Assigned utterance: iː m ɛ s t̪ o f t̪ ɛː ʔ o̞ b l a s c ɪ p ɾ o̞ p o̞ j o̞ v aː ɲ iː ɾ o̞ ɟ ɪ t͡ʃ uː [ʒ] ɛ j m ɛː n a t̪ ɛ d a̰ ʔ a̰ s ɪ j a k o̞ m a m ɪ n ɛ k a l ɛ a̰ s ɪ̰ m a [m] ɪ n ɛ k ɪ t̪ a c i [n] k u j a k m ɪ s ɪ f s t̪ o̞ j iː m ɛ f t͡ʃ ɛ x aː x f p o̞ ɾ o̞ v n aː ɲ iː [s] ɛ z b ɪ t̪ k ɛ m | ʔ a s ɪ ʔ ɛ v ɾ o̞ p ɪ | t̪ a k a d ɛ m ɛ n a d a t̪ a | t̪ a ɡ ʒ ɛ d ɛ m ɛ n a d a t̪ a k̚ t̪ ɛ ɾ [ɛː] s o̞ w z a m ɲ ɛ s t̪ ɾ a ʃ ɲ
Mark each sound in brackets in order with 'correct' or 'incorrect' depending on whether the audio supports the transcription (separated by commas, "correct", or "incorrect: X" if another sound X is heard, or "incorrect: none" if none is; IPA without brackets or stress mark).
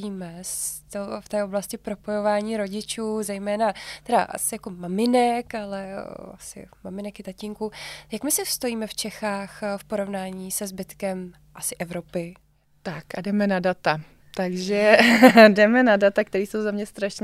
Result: incorrect: z, correct, incorrect: ŋ, correct, incorrect: iː